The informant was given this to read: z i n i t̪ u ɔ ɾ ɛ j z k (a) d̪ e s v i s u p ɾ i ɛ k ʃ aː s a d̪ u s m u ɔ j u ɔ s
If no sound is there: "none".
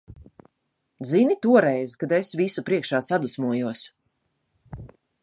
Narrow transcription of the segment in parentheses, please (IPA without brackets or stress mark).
a